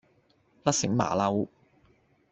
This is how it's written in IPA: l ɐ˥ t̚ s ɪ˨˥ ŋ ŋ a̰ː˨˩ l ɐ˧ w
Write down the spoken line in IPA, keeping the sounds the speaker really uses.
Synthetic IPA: l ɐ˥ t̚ s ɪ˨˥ ŋ m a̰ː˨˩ l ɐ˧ w